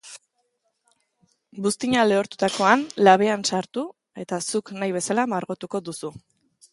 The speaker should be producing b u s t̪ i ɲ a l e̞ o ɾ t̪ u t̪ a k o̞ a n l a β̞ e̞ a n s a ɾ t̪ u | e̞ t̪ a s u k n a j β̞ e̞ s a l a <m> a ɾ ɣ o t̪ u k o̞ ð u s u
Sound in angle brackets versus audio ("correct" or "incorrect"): correct